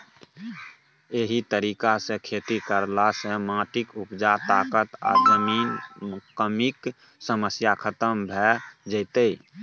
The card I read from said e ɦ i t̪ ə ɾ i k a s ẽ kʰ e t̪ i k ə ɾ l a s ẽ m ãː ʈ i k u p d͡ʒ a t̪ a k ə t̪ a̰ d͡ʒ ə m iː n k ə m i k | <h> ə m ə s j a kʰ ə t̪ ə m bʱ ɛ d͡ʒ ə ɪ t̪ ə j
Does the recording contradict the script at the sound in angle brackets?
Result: yes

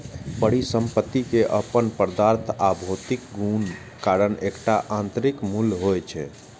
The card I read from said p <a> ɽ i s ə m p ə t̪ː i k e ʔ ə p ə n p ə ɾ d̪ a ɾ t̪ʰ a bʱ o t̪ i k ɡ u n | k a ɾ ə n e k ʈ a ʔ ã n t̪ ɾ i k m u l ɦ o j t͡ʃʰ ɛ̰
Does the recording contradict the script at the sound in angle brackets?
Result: yes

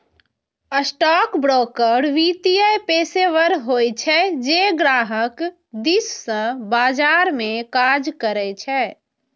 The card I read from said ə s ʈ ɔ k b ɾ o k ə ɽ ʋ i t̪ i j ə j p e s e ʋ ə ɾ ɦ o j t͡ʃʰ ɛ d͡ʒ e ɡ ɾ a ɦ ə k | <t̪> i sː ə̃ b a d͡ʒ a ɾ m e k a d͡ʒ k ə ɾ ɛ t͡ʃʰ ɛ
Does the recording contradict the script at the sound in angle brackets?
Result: yes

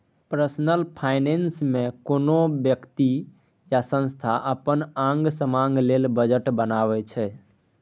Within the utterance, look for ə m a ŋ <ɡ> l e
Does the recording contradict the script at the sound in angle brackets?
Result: no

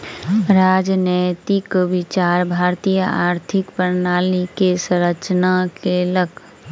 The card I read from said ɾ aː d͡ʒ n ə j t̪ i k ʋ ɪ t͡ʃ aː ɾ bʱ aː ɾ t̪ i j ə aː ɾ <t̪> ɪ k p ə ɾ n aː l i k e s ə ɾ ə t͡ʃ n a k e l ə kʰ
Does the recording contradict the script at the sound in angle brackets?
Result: yes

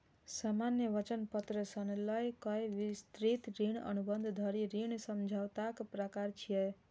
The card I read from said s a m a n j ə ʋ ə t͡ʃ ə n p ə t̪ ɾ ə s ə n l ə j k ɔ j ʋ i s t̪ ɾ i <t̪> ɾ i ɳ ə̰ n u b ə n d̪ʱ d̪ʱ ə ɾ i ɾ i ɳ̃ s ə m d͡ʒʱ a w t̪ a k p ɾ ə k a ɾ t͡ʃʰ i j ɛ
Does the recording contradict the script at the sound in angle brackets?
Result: no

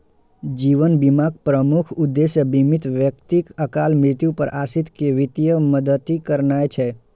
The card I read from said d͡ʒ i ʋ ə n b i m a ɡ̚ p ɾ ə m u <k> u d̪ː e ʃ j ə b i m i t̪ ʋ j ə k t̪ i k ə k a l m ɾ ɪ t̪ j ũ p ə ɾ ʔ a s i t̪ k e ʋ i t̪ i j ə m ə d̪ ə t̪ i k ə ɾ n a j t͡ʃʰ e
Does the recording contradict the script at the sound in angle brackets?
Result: yes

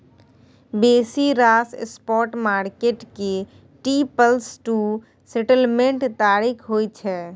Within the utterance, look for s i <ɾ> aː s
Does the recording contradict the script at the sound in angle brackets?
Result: no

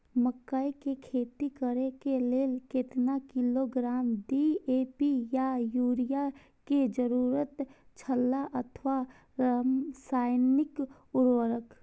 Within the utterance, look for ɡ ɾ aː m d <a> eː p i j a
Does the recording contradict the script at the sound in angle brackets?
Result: yes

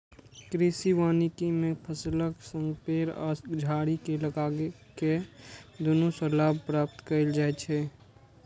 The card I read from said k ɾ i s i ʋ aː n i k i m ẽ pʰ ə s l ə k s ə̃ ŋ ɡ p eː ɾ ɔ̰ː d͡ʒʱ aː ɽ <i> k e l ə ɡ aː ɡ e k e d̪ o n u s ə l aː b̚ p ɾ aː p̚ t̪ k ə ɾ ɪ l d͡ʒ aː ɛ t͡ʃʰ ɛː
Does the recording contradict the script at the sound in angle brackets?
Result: no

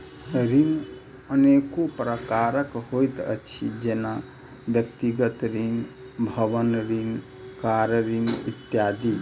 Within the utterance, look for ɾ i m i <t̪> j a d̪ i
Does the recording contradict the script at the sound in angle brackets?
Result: no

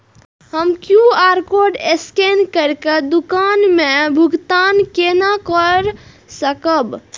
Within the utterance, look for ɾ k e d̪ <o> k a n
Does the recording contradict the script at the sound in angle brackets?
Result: yes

